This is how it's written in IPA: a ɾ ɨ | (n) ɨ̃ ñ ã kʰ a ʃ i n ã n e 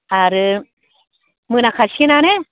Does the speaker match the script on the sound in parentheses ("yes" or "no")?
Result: no